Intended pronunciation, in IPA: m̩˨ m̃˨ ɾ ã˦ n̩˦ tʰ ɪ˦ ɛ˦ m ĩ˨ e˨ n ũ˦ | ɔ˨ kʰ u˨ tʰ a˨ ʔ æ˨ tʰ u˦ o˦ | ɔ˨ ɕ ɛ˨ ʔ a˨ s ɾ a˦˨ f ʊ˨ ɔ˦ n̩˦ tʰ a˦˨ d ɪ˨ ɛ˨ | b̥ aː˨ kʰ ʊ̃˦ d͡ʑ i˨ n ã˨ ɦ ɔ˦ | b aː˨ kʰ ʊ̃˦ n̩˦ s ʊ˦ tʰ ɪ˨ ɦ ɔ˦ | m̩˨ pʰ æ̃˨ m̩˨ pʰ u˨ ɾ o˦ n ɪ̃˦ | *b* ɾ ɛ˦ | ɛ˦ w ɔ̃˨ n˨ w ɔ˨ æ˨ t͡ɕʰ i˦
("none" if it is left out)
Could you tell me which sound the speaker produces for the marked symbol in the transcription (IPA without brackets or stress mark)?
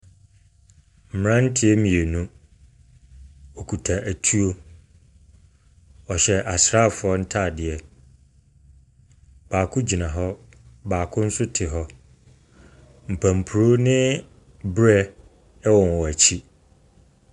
b